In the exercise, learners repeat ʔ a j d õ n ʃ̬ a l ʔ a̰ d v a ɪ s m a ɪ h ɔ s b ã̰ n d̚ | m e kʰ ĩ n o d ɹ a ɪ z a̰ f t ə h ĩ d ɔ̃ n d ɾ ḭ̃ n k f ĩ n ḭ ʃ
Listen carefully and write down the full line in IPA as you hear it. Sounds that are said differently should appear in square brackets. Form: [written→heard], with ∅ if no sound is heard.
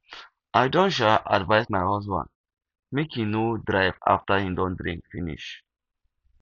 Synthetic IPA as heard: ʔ a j d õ n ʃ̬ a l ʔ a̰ d v a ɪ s m a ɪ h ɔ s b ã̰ n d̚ | m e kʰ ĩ n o d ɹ a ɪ [z→v] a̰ f t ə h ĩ d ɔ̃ n d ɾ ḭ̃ [n→ŋ] k f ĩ n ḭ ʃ

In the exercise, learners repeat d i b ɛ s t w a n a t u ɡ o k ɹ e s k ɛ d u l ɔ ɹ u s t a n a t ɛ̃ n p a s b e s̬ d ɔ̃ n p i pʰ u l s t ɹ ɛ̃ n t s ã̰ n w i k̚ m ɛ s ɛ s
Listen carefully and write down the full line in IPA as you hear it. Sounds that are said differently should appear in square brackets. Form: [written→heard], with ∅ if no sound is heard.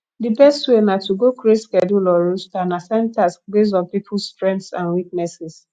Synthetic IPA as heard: d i b ɛ s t w [a→e] n a t u ɡ o k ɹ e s k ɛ d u l ɔ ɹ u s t a n a [t→s] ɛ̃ n [p→t] a s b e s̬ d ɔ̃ n p i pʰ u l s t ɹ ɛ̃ n t s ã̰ n w i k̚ [m→n] ɛ s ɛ s

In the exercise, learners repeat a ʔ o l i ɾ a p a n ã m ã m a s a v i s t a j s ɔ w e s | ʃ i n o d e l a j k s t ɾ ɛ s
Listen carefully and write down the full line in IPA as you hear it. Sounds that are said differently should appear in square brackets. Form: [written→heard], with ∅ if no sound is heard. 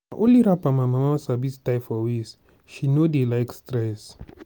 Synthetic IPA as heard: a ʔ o l i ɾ a p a [n→m] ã m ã m a s a [v→b] i s t a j [s→f] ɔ w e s | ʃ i n o d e l a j k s t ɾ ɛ s

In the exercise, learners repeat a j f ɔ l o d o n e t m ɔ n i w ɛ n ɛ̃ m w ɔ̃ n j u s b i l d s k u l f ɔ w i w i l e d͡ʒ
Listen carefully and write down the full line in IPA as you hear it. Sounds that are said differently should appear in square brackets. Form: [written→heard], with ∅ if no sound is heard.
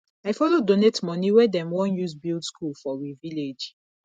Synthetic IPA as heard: a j f ɔ l o d o n e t m ɔ n i w ɛ [n→d] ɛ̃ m w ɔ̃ n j u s b i l d s k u l f ɔ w i [w→v] i l e d͡ʒ

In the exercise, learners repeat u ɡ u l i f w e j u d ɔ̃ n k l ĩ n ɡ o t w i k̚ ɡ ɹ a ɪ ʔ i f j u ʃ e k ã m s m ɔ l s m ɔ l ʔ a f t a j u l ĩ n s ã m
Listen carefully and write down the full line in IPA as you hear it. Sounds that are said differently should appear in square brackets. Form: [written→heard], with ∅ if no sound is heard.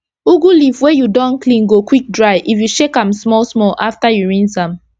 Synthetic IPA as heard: u ɡ u l i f w e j u d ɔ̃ n k l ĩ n ɡ o [t→k] w i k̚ [ɡ→d] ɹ a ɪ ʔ i f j u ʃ e k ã m s m ɔ l s m ɔ l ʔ a f t a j u [l→ɹ] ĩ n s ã m

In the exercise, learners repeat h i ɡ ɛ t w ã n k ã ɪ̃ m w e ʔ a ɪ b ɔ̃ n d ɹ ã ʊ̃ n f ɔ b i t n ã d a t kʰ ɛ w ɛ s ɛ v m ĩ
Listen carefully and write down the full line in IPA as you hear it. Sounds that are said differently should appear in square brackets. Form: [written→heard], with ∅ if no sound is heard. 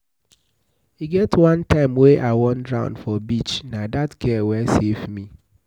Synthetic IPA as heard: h i ɡ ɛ t w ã n [k→t] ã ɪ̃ m w e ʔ a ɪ [b→w] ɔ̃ n d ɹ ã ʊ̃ n f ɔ b i [t→t͡ʃ] n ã d a t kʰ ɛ w ɛ s [ɛ→e] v m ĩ

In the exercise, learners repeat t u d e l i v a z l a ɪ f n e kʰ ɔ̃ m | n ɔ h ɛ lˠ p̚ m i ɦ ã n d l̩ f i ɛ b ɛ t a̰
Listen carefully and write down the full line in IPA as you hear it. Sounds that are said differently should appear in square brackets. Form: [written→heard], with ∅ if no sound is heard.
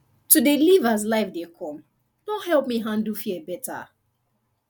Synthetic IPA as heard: t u d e l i v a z l a ɪ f [n→d] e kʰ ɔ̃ m | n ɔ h ɛ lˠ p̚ m i ɦ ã n d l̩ f i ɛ b ɛ t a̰

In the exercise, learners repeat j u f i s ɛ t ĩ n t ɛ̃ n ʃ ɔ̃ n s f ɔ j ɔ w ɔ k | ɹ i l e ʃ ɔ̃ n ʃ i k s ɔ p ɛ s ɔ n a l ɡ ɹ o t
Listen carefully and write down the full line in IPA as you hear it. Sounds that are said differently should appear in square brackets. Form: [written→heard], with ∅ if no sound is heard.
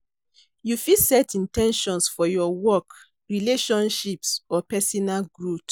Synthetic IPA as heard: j u f i s ɛ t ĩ n t ɛ̃ n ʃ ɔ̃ n s f ɔ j ɔ w ɔ k | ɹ i l e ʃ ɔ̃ n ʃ i [k→p] s ɔ p ɛ s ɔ n a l ɡ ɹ [o→u] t

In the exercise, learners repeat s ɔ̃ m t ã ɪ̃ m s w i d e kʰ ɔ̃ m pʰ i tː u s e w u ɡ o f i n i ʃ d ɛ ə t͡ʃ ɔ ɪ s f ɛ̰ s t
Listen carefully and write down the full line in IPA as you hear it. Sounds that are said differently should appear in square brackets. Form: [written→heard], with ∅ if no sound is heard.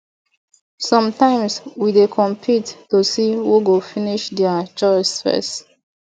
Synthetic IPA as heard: s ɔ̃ m t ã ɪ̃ m s w i d e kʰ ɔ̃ m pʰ i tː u s [e→i] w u ɡ o f i n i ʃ d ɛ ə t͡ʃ ɔ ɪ s f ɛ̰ s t

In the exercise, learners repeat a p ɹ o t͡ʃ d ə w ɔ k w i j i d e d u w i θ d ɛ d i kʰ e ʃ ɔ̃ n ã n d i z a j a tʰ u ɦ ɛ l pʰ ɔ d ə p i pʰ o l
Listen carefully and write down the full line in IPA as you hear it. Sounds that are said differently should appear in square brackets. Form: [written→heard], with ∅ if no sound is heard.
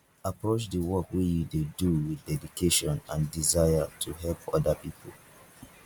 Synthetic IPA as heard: a p ɹ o t͡ʃ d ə w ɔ k w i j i d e d u w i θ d ɛ d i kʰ e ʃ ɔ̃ n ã n d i z a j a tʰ u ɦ ɛ l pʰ ɔ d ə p i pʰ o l

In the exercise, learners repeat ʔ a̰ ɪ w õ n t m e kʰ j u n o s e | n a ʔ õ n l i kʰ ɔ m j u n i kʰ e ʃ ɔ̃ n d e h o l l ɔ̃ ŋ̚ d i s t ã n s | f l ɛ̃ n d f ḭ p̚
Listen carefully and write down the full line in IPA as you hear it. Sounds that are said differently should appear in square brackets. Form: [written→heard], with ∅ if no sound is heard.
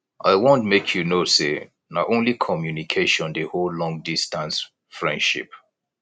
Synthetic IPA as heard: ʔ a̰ ɪ w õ n t m e kʰ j u n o s e | n a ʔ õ n l i kʰ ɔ m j u n i kʰ e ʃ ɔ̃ n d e h o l l ɔ̃ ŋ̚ d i s t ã n s | f [l→ɹ] ɛ̃ n d [f→ʃ] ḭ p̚

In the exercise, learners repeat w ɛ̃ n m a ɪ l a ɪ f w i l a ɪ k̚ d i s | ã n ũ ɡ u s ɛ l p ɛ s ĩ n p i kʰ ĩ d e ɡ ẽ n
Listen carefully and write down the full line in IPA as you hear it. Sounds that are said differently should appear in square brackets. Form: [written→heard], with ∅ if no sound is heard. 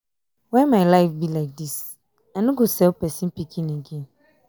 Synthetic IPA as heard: w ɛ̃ n m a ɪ l a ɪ f [w→b] i l a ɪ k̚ d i s | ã n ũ ɡ [u→o] s ɛ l p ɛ s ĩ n p i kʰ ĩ [d→n] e ɡ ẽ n

